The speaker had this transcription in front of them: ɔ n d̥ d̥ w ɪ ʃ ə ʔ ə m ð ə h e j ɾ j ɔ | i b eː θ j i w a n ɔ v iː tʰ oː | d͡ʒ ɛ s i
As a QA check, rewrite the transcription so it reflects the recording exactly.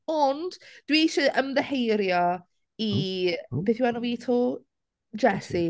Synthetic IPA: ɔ n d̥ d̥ w i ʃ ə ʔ ə m ð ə h e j ɾ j ɔ | i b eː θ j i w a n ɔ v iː tʰ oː | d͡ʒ ɛ s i